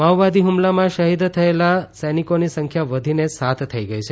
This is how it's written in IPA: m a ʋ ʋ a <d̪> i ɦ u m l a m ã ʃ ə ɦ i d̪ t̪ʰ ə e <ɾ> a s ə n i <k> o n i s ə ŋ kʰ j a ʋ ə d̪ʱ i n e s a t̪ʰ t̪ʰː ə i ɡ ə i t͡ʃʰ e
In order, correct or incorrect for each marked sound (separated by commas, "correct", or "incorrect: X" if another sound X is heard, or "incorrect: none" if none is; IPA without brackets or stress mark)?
correct, incorrect: l, correct